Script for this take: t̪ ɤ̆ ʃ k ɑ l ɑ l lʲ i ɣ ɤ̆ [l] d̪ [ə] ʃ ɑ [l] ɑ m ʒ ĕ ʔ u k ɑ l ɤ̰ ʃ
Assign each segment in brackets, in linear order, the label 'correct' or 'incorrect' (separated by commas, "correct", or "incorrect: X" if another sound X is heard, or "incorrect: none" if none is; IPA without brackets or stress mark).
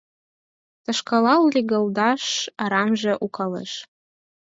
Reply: correct, incorrect: ɑ, incorrect: ɾ